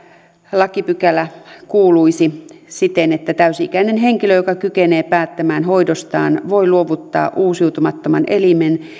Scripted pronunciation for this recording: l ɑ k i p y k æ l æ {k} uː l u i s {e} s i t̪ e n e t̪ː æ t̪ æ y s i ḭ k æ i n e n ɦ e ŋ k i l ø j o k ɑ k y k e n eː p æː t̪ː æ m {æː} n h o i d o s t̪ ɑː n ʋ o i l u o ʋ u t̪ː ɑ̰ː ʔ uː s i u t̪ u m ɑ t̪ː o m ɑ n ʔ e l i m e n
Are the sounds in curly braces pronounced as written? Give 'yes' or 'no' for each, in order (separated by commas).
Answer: yes, no, yes